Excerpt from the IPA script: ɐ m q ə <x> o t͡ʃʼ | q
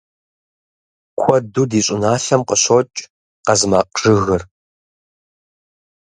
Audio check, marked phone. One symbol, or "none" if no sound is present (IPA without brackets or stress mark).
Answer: ɕ